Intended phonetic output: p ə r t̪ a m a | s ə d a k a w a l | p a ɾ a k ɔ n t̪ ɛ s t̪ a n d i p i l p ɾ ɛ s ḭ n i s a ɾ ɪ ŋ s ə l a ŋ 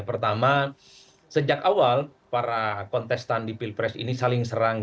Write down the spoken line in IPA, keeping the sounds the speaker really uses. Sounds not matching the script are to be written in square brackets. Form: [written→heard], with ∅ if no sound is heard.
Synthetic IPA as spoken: p ə r t̪ a m a | s ə [d→d͡ʒ] a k a w a l | p a ɾ a k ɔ n t̪ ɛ s t̪ a n d i p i l p ɾ ɛ s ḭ n i s a [ɾ→l] ɪ ŋ s ə [l→ɾ] a ŋ